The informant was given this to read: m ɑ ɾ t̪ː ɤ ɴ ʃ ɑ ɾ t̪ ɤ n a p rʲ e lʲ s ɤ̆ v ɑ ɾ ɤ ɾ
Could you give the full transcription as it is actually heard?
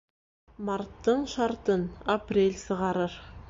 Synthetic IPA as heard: m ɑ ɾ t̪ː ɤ ɴ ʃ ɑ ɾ t̪ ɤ n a p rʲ e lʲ s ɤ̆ ʁ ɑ ɾ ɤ ɾ